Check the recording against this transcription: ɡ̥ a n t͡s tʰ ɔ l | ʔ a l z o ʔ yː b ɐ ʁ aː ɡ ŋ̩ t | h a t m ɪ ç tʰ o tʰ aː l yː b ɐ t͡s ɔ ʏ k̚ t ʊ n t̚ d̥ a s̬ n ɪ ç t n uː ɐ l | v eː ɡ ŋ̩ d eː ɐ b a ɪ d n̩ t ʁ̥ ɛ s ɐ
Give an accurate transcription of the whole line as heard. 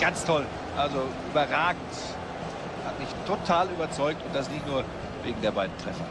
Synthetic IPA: ɡ̥ a n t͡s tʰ ɔ l | ʔ a l z o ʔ yː b ɐ ʁ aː ɡ ŋ̩ t | h a t m ɪ ç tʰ o tʰ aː l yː b ɐ t͡s ɔ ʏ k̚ t ʊ n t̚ d̥ a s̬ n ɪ ç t n uː ɐ | v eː ɡ ŋ̩ d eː ɐ b a ɪ d n̩ t ʁ̥ ɛ f ɐ